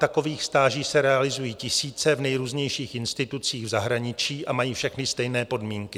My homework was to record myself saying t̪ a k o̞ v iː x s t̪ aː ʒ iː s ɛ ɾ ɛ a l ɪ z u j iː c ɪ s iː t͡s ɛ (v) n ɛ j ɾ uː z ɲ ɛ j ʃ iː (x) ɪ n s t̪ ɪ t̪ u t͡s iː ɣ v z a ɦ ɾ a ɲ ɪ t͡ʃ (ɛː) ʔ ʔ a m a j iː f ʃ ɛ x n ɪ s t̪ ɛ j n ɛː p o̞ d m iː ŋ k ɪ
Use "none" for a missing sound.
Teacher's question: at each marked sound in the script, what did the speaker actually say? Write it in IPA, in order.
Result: v, x, iː

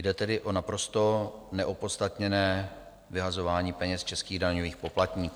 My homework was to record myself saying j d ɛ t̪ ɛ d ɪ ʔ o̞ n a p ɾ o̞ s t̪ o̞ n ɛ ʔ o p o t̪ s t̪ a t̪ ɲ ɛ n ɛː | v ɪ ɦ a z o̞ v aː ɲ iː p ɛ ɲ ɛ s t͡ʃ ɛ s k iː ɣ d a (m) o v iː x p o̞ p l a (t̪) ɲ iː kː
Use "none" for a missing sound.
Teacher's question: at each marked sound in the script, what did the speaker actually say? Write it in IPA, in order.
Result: ɲ, t̪

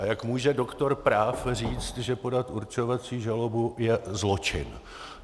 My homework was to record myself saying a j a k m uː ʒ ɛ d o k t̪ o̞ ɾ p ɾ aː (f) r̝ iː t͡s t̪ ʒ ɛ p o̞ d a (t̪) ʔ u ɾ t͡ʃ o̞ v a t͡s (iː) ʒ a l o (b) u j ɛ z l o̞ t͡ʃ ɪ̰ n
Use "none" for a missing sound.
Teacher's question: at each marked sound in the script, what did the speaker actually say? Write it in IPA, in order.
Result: f, t̪, iː, b

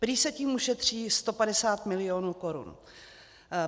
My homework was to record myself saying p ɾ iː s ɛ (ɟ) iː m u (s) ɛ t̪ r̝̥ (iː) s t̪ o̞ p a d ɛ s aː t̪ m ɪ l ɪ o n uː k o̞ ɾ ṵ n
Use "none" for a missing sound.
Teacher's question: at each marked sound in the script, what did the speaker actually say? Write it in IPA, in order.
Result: c, ʃ, iː

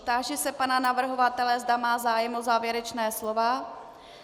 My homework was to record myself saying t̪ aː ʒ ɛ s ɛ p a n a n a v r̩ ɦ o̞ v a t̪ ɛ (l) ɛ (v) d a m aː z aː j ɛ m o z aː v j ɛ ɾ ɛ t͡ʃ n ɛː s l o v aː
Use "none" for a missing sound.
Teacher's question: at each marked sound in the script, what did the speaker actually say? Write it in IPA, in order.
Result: l, z

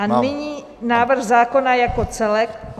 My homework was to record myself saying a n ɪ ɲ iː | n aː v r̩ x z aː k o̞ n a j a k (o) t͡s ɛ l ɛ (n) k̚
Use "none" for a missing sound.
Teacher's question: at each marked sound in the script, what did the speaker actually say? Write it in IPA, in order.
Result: o, none

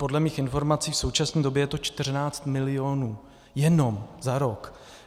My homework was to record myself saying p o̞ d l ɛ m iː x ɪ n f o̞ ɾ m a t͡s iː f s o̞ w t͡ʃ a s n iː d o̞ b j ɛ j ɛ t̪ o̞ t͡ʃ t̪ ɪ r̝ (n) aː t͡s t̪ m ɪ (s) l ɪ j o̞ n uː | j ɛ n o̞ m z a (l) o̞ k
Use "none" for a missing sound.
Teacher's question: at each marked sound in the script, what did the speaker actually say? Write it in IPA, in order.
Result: n, none, ɾ

